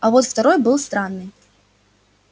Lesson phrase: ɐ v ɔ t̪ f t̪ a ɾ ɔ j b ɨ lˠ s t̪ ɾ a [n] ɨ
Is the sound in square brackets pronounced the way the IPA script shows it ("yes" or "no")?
no